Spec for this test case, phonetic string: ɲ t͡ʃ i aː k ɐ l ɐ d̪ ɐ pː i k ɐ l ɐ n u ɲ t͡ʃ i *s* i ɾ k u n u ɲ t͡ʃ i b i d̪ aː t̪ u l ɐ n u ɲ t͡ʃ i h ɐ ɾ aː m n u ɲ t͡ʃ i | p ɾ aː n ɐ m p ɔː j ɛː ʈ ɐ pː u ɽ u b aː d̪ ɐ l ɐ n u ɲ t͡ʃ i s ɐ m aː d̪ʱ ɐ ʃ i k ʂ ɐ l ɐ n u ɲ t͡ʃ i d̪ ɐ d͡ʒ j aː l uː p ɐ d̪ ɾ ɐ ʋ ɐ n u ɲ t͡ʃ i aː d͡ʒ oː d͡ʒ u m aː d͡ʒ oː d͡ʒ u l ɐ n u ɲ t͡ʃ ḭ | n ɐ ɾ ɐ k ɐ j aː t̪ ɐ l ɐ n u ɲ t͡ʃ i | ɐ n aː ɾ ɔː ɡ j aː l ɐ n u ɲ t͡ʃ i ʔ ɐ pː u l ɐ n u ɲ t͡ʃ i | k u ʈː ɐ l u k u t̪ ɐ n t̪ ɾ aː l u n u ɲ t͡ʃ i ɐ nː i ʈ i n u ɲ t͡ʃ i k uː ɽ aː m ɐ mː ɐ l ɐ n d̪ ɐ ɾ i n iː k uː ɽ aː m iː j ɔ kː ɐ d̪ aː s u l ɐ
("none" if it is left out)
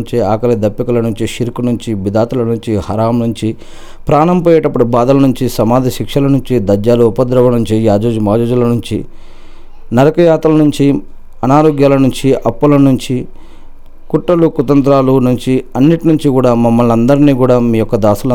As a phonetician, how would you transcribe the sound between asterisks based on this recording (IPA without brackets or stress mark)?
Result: ʃ